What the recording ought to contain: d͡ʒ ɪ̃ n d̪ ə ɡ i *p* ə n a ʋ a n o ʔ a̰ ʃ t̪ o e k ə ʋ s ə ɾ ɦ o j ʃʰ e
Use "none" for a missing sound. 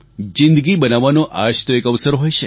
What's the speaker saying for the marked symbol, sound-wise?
b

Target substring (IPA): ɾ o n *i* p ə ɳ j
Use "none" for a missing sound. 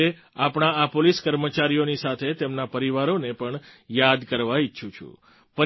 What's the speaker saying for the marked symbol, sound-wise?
e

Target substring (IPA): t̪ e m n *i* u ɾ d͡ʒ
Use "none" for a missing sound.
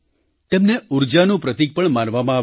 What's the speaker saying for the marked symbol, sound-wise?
e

